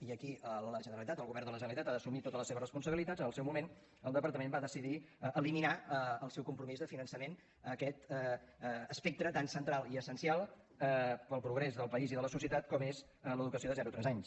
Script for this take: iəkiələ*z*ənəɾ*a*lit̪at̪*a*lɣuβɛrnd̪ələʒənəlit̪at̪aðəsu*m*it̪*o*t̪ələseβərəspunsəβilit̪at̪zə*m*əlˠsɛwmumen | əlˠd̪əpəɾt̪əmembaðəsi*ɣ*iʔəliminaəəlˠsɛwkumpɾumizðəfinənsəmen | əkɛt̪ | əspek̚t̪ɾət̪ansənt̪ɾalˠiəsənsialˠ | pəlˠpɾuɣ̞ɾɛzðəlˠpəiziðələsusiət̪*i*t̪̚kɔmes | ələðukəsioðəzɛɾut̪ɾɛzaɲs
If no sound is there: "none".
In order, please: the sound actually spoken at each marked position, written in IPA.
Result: ʒ, ə, ə, m, o, n, ð, a

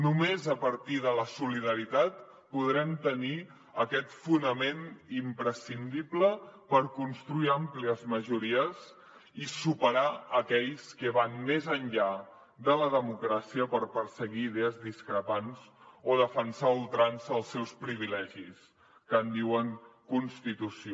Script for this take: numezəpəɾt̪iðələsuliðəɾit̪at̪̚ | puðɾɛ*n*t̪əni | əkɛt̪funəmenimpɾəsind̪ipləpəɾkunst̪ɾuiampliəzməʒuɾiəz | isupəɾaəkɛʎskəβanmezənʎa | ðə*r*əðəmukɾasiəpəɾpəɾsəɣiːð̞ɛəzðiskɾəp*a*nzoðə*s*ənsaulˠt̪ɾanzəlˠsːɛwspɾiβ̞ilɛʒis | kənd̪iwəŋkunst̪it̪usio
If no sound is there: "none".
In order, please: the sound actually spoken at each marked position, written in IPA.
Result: m, l, a, f

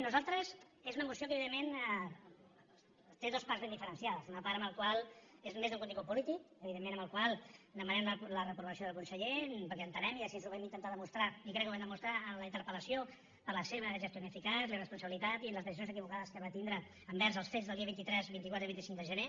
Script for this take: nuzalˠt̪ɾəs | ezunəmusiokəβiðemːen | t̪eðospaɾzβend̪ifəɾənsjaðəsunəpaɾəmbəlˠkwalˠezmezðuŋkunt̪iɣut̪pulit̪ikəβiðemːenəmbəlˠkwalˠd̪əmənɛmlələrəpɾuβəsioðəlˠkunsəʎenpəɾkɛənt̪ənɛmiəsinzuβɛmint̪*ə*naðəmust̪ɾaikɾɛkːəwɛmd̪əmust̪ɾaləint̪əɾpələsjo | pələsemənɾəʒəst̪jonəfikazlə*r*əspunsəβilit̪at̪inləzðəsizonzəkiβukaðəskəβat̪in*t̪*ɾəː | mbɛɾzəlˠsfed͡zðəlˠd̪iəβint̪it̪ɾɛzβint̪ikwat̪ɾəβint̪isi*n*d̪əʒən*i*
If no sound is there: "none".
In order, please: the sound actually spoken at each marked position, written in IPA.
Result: ə, r, d̪, ŋ, e

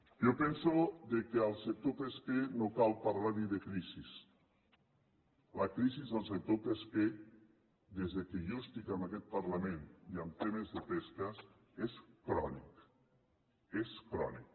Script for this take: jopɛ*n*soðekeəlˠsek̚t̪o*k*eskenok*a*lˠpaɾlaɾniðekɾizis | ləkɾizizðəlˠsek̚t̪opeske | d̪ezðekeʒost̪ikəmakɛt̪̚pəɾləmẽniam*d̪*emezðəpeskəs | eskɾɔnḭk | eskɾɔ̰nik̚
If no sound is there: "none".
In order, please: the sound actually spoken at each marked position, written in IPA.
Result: n, p, a, t̪

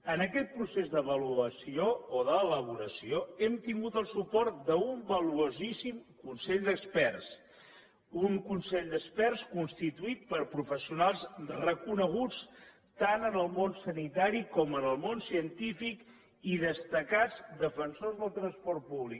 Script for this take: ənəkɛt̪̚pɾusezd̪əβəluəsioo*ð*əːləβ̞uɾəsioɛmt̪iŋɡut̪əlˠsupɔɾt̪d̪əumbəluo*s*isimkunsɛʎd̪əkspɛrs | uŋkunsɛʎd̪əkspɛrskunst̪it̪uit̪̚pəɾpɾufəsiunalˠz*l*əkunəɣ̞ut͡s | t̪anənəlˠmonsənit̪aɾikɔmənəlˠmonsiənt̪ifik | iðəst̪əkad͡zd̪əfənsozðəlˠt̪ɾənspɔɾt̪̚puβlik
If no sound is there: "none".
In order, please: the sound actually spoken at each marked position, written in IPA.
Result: ð, z, r

